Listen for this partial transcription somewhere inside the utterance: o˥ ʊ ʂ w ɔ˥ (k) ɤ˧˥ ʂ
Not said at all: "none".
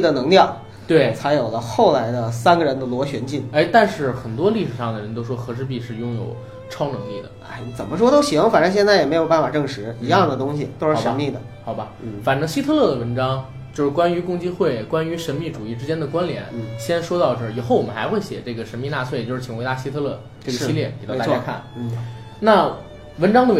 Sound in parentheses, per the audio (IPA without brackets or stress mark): x